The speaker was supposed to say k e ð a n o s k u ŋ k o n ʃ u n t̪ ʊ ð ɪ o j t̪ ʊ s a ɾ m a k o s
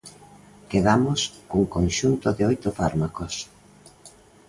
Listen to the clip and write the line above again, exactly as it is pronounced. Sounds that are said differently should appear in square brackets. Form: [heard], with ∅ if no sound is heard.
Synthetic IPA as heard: k e ð a [m] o s k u ŋ k o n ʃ u n t̪ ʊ ð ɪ o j t̪ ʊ [f] a ɾ m a k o s